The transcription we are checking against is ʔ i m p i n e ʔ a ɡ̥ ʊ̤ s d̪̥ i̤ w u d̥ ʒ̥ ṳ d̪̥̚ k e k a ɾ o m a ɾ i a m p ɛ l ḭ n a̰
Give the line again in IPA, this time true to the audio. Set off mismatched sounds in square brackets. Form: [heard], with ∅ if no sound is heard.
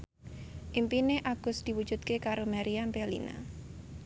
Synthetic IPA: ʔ i m p i n e ʔ a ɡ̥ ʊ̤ s d̪̥ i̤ w u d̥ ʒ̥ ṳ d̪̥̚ k e k a ɾ o m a ɾ i a m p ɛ l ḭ n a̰

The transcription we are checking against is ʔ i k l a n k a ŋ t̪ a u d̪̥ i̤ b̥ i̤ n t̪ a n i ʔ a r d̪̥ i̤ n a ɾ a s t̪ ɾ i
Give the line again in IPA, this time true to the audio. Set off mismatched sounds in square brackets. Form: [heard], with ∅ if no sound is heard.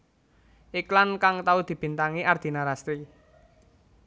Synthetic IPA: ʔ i k l a n k a ŋ t̪ a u d̪̥ i̤ b̥ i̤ n t̪ a [ŋ] i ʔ a r d̪̥ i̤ n a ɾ a s t̪ ɾ i

